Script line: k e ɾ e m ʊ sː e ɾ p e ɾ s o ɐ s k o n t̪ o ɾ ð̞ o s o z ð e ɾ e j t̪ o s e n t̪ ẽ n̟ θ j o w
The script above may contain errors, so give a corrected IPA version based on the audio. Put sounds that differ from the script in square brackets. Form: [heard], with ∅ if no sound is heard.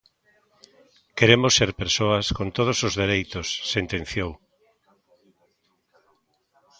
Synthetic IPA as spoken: k e ɾ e m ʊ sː e ɾ p e ɾ s o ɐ s k o n t̪ o [∅] ð̞ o s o z ð e ɾ e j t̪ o [sː] e n t̪ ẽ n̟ θ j o w